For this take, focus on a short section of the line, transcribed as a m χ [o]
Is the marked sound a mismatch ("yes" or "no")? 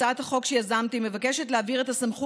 yes